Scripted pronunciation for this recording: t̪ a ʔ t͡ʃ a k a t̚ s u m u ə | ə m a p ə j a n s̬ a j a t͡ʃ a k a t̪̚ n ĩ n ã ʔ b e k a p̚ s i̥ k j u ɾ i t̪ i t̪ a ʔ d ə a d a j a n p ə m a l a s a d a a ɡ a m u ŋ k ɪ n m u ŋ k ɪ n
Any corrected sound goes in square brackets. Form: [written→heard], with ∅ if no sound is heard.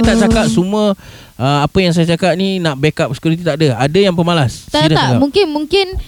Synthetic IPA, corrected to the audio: t̪ a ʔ t͡ʃ a k a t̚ s u m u ə | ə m a p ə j a [n→ŋ] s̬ a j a t͡ʃ a k a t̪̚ n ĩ n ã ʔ b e k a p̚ s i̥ k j u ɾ i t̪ i t̪ a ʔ d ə a d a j a [n→ŋ] p ə m a l a s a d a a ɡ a m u ŋ k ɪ n m u ŋ k ɪ n